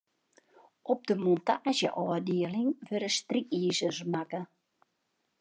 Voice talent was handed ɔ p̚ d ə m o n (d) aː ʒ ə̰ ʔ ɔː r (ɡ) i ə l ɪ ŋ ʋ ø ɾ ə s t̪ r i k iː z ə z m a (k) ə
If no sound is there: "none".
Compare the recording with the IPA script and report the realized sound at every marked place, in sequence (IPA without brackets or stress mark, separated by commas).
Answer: t, d, k